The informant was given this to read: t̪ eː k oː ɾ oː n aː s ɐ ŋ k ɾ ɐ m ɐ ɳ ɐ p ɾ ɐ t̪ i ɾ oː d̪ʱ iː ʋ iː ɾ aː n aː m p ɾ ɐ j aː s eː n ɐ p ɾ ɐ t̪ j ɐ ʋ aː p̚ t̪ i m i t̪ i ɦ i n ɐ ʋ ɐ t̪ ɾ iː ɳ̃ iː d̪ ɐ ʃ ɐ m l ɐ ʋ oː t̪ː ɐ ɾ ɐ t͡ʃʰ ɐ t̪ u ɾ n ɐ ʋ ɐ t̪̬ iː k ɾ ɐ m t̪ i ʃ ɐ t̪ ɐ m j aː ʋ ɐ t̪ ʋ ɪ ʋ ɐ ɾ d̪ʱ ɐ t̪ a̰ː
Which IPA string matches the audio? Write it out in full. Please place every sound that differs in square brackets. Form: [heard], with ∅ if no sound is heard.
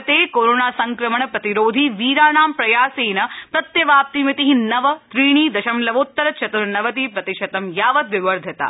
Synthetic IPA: t̪ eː k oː ɾ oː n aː s ɐ ŋ k ɾ ɐ m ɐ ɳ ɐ p ɾ ɐ t̪ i ɾ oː d̪ʱ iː ʋ iː ɾ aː n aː m p ɾ ɐ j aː s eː n ɐ p ɾ ɐ t̪ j ɐ ʋ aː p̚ t̪ i m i t̪ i ɦ i n ɐ ʋ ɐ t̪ ɾ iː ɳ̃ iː d̪ ɐ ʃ ɐ m l ɐ ʋ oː t̪ː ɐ ɾ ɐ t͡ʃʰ ɐ t̪ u ɾ n ɐ ʋ ɐ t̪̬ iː [p] ɾ ɐ [∅] t̪ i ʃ ɐ t̪ ɐ m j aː ʋ ɐ t̪ ʋ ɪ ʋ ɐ ɾ d̪ʱ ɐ t̪ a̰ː

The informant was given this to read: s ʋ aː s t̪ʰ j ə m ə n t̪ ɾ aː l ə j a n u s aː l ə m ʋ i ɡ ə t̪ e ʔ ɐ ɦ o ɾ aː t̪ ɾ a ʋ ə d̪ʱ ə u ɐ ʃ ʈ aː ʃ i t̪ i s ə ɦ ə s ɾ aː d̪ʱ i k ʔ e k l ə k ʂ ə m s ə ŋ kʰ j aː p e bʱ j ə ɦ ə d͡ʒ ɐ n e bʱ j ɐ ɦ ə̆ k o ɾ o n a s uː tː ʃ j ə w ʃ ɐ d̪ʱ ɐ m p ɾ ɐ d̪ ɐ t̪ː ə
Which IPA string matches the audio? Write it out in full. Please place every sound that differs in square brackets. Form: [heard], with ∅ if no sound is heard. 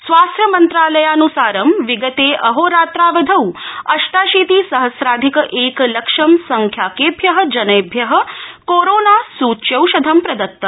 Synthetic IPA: s ʋ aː s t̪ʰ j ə m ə n t̪ ɾ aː l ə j a n u s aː [ɾ] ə m ʋ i ɡ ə t̪ e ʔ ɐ ɦ o ɾ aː t̪ ɾ a ʋ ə d̪ʱ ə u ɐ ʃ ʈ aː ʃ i t̪ i s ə ɦ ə s ɾ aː d̪ʱ i k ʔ e k l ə k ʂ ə m s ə ŋ kʰ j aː [k] e bʱ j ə ɦ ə d͡ʒ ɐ n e bʱ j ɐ ɦ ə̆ k o ɾ o n a s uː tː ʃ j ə w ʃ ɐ d̪ʱ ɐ m p ɾ ɐ d̪ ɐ t̪ː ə

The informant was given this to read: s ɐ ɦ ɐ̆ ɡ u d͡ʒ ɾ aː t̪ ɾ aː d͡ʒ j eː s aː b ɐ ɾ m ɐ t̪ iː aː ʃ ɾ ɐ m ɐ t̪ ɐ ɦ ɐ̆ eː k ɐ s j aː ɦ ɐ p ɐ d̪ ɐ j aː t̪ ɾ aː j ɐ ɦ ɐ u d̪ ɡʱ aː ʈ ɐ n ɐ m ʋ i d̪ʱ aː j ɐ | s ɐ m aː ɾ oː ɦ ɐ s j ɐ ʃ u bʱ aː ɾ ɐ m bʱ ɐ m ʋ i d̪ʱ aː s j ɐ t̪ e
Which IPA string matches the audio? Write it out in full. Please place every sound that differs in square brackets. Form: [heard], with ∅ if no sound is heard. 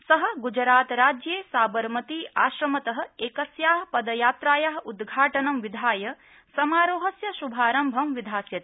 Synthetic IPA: s ɐ ɦ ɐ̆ ɡ u d͡ʒ ɾ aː t̪ ɾ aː d͡ʒ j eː s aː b ɐ ɾ m ɐ t̪ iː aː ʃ ɾ ɐ m ɐ t̪ ɐ ɦ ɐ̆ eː k ɐ s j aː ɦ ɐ p ɐ d̪ ɐ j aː t̪ ɾ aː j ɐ ɦ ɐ u d̪ ɡʱ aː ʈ ɐ n ɐ m ʋ i d̪ʱ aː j ɐ | s ɐ m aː ɾ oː ɦ ɐ s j ɐ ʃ u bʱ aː ɾ ɐ m bʱ ɐ m ʋ i d̪ʱ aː s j ɐ t̪ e

